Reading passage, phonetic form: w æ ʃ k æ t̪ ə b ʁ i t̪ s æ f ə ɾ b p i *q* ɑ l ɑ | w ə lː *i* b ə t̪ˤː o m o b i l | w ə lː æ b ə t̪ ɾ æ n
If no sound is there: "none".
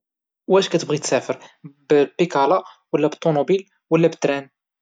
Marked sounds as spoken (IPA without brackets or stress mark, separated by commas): k, æ